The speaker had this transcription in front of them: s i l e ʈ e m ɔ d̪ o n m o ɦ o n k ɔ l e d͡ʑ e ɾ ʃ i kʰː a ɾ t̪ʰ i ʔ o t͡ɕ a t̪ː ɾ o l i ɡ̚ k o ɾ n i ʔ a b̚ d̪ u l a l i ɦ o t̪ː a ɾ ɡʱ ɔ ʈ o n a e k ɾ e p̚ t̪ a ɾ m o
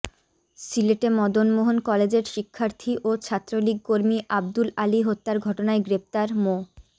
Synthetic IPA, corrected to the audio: s i l e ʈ e m ɔ d̪ o n m o ɦ o n k ɔ l e d͡ʑ e ɾ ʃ i kʰː a ɾ t̪ʰ i ʔ o t͡ɕʰ a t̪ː ɾ o l i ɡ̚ k o ɾ m i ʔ a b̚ d̪ u l a l i ɦ o t̪ː a ɾ ɡʱ ɔ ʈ o n a e ɡ ɾ e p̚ t̪ a ɾ m o